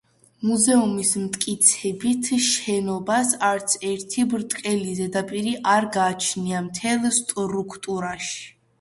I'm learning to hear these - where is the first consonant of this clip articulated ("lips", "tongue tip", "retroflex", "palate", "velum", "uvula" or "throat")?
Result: lips